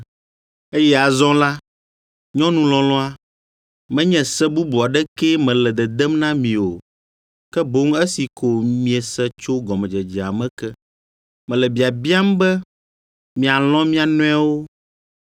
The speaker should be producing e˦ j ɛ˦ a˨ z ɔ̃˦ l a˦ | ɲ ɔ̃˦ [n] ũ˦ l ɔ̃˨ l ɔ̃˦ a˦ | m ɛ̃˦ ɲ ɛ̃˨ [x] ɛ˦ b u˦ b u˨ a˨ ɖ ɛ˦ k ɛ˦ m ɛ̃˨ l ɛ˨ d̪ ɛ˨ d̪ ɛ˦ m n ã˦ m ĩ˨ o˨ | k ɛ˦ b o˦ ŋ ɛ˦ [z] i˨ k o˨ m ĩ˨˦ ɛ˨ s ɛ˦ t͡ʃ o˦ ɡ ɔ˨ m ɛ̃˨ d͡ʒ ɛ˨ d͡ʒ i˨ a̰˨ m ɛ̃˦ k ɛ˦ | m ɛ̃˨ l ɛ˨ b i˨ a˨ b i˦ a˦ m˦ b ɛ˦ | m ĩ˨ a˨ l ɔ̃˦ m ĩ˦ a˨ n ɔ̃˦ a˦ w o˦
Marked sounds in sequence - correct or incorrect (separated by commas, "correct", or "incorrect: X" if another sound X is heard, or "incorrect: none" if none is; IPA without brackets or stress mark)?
correct, incorrect: s, incorrect: s